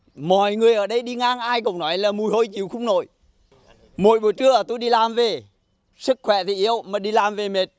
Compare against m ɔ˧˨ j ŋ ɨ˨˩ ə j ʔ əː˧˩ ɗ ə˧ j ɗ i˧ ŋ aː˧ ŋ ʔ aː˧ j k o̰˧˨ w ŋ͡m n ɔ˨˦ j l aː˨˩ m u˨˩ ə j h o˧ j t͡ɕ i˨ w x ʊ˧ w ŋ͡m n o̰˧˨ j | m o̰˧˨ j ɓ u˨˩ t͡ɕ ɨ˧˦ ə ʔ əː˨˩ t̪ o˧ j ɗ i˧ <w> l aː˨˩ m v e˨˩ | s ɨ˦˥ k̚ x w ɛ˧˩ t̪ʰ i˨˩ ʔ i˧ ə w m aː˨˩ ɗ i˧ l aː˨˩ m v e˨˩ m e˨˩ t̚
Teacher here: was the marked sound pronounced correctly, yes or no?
no